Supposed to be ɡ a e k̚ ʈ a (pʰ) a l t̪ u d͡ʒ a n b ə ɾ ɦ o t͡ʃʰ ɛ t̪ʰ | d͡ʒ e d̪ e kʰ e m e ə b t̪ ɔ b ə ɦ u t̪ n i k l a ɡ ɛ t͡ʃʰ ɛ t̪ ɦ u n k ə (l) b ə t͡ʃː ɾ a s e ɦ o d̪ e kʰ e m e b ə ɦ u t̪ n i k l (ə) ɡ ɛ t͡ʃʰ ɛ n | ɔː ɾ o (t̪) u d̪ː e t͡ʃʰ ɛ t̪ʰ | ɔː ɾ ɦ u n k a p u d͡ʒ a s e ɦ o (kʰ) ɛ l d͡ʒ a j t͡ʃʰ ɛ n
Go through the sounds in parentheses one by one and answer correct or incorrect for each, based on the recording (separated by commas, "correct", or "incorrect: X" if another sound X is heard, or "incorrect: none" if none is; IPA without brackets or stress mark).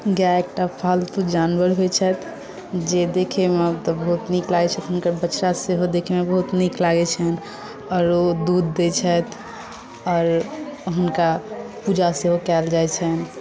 correct, incorrect: ɾ, incorrect: a, incorrect: d̪, incorrect: k